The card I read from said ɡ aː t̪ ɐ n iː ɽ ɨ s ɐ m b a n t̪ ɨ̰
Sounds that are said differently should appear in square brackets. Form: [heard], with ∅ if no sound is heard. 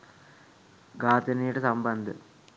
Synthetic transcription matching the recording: ɡ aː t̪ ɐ n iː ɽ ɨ s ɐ m b [ɐ] n [d̪] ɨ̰